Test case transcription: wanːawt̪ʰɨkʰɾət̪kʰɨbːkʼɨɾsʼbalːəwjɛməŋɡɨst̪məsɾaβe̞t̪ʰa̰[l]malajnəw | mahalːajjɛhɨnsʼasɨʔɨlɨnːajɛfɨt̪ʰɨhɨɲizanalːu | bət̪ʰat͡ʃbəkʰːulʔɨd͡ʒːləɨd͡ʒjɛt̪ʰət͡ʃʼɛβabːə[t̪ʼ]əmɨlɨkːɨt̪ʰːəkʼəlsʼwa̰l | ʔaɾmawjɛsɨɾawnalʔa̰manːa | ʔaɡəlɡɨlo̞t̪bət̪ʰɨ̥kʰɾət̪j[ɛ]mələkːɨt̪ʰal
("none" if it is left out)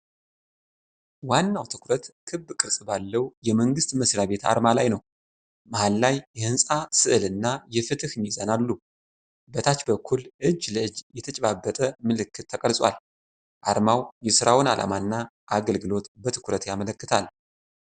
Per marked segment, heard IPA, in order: ɾ, t̪ʼ, a

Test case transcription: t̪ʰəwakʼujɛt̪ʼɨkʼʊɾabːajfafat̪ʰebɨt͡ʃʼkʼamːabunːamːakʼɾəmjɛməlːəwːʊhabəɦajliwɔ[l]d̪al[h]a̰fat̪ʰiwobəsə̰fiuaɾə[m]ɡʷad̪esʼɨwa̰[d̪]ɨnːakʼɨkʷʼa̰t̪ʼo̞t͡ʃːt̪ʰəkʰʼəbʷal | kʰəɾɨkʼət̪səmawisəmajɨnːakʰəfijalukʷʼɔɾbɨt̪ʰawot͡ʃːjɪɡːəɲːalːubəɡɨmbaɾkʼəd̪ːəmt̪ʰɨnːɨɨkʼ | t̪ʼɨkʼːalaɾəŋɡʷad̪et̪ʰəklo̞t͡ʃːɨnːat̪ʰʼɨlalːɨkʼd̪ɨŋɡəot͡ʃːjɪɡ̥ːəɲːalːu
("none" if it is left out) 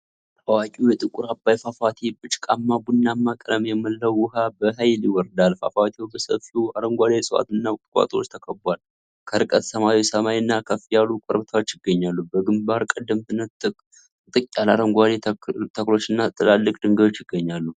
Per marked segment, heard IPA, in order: ɾ, f, ŋ, t̪

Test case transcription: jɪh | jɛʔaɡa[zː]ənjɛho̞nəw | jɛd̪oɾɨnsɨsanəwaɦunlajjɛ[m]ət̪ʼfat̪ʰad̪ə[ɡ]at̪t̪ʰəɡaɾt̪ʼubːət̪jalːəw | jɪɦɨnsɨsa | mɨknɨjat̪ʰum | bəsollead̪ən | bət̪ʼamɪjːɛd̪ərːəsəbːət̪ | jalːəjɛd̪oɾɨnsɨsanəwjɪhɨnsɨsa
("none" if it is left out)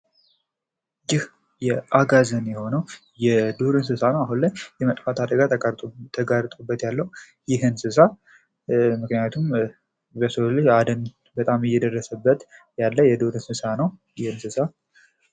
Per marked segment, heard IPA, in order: z, m, ɡ

